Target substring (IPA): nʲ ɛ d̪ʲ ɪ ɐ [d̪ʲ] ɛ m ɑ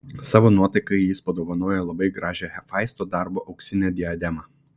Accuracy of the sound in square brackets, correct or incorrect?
correct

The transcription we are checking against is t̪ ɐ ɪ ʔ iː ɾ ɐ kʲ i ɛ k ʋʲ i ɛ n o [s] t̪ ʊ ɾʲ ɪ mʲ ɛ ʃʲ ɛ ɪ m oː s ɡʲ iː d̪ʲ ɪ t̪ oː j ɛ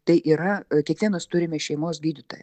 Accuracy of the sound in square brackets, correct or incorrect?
correct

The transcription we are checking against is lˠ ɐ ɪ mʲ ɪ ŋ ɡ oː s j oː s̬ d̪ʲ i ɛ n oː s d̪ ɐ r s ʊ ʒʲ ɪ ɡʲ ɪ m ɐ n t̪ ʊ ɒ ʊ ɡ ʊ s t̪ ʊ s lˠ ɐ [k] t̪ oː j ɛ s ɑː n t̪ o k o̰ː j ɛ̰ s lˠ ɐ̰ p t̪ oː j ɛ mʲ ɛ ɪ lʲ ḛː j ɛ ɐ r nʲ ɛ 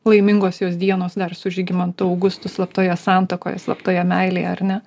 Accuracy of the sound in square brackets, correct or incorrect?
incorrect: p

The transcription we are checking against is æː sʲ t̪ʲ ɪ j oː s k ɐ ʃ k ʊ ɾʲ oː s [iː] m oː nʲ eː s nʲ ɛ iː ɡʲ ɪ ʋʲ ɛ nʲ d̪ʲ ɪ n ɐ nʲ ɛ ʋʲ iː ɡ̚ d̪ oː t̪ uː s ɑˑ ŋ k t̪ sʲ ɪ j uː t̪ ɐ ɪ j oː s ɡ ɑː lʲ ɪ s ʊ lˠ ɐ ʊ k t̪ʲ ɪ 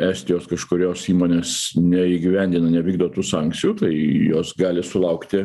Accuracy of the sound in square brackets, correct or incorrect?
correct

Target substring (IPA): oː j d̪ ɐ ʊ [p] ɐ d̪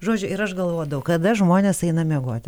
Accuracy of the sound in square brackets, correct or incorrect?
incorrect: k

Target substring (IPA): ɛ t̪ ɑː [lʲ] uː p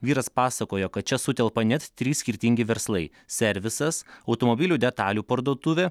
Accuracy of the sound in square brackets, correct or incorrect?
correct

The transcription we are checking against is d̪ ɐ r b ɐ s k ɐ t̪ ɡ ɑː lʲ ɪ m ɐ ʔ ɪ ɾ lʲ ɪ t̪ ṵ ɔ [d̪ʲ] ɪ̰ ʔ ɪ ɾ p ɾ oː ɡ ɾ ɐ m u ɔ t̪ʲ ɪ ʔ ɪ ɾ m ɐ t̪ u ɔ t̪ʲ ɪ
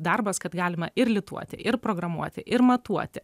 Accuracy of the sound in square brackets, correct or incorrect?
incorrect: t̪ʲ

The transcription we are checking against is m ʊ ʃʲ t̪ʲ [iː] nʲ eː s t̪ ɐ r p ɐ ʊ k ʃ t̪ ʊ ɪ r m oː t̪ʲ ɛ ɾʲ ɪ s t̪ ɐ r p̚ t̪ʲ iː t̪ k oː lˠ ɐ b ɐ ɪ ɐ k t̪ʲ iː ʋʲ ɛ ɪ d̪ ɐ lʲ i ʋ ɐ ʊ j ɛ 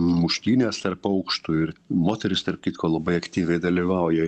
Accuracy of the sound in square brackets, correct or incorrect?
correct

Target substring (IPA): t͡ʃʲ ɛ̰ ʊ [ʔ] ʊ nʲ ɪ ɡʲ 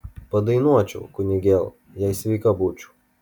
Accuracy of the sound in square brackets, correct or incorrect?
incorrect: k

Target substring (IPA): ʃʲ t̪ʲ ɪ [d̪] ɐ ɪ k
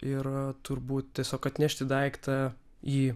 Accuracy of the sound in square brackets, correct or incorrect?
correct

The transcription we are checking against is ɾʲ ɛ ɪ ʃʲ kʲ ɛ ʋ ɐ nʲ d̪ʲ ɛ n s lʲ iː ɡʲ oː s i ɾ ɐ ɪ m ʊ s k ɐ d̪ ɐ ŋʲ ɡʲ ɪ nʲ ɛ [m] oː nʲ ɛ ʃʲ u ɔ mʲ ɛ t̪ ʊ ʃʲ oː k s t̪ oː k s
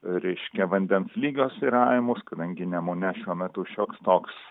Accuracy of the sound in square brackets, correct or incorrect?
correct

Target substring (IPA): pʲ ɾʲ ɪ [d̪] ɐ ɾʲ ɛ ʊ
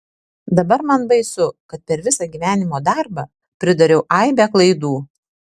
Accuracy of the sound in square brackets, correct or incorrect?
correct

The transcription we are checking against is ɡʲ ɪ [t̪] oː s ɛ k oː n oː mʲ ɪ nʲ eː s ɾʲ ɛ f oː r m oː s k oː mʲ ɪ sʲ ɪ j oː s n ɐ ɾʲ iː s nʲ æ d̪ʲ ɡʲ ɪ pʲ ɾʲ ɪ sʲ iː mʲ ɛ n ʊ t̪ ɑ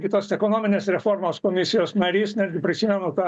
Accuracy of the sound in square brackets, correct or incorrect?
correct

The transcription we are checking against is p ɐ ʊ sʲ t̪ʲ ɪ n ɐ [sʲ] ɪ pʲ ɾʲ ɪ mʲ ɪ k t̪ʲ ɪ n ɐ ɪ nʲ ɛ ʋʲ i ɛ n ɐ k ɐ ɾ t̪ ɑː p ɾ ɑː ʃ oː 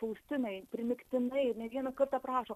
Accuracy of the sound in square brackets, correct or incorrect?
incorrect: none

